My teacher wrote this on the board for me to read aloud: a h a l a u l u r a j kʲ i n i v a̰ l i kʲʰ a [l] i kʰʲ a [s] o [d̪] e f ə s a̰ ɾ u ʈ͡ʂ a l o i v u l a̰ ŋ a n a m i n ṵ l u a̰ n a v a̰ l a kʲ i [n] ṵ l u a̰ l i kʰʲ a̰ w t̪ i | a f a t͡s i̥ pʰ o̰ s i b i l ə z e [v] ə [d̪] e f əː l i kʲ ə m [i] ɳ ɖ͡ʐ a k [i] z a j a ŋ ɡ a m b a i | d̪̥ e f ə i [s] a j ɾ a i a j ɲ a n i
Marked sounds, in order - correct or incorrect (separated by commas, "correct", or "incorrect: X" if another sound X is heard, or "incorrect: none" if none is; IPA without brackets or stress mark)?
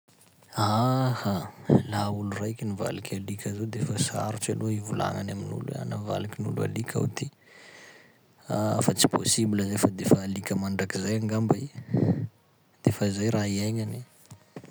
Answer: correct, incorrect: z, correct, correct, incorrect: f, correct, incorrect: a, correct, incorrect: z